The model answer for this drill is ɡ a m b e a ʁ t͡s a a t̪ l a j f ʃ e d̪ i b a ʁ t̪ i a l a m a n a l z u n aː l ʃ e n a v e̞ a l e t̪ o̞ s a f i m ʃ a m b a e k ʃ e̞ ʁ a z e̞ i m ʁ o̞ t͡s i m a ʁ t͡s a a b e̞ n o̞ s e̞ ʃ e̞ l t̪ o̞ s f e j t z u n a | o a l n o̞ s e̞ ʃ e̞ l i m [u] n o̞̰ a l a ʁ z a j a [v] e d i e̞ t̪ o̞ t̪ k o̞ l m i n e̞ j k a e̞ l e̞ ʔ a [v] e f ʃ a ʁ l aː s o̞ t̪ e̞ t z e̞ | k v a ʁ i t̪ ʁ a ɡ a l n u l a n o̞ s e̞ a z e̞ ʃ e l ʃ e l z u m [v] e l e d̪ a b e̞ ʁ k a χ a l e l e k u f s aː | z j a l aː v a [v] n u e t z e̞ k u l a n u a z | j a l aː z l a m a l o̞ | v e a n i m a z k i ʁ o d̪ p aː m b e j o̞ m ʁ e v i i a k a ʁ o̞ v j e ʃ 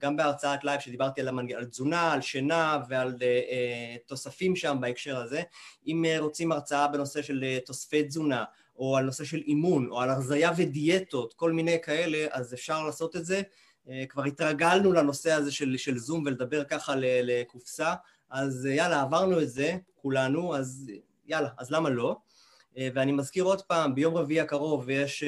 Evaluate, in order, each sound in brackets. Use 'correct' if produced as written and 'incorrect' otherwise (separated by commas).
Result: correct, correct, incorrect, correct, incorrect